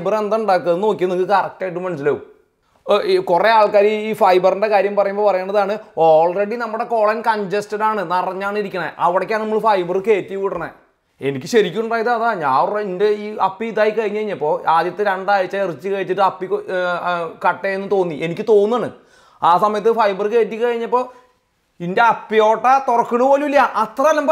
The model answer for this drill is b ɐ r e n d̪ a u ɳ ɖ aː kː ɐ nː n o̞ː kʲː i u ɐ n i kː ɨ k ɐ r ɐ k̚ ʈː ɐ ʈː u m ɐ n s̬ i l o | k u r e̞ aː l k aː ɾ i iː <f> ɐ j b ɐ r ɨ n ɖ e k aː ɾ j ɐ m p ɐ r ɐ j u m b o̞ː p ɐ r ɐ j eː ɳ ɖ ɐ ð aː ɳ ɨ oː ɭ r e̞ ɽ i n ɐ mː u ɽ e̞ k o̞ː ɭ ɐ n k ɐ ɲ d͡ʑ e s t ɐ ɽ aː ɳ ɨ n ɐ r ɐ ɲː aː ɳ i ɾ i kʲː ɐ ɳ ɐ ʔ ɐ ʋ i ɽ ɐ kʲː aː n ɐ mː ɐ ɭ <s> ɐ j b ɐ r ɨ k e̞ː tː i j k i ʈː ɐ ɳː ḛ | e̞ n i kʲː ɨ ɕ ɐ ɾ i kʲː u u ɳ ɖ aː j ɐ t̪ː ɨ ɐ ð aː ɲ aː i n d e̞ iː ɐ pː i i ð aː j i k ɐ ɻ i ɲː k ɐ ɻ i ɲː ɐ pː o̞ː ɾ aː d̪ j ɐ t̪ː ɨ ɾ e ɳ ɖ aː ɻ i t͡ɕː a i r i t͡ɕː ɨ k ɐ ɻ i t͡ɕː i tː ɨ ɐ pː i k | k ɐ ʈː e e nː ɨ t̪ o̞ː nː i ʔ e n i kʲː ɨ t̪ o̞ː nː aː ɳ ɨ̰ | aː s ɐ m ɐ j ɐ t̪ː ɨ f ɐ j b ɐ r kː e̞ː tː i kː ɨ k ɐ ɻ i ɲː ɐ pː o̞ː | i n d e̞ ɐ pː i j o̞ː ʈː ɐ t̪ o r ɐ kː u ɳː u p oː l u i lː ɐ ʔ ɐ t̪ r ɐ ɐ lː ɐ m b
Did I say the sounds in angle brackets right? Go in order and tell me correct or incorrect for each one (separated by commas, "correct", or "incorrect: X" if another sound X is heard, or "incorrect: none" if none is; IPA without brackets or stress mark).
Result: correct, incorrect: f